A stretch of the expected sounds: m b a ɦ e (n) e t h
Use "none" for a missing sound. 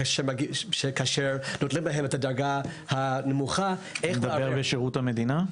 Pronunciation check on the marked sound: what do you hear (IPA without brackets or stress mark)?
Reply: m